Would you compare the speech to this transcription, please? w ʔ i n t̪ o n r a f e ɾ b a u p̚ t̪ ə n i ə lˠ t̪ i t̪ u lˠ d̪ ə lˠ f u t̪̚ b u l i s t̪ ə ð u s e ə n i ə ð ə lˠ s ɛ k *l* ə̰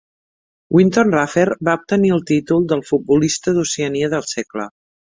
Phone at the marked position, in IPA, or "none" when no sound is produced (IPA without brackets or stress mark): l